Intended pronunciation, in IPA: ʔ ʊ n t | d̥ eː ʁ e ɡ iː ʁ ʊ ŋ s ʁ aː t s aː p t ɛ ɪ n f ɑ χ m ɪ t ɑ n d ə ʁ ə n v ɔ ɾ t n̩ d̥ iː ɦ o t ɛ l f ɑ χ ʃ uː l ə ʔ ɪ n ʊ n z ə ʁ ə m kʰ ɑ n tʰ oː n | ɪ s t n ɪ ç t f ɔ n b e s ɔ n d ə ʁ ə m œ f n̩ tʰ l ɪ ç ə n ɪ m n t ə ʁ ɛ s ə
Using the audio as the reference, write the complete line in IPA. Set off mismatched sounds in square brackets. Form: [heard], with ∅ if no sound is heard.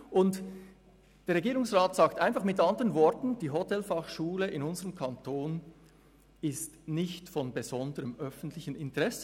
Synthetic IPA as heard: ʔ ʊ n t | d̥ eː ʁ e ɡ iː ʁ ʊ ŋ s ʁ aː t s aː [k] t [a] ɪ n f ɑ χ m ɪ t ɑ n d ə ʁ ə n v ɔ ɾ t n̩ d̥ iː ɦ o t ɛ l f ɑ χ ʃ uː l ə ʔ ɪ n ʊ n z ə ʁ ə m kʰ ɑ n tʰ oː n | ɪ s t n ɪ ç t f ɔ n b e [z] ɔ n d ə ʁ ə m œ f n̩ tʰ l ɪ ç ə n ɪ [∅] n t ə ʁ ɛ s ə